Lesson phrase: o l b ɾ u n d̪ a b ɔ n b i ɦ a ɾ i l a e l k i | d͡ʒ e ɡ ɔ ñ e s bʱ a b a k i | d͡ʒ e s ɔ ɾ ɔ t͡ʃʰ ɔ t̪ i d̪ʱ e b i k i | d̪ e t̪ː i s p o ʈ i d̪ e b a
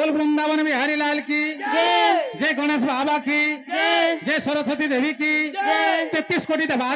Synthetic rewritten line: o l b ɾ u n d̪ a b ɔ n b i ɦ a ɾ i l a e l k i | d͡ʒ e ɡ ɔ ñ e s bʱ a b a k i | d͡ʒ e s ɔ ɾ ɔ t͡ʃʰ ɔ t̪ i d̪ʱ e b i k i | t̪ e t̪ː i s k o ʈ i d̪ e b a